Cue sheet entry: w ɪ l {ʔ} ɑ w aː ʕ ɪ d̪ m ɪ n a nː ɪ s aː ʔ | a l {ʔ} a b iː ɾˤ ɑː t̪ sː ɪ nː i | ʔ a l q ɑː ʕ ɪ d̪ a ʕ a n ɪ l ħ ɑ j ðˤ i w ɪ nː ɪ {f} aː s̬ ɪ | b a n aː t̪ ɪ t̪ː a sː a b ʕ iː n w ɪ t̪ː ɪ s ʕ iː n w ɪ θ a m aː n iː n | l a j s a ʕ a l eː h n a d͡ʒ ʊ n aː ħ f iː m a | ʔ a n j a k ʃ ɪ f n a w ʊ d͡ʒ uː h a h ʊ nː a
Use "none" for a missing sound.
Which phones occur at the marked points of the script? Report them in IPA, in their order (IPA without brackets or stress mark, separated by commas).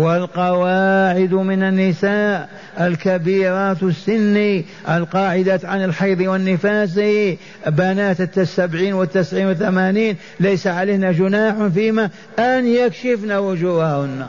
q, k, f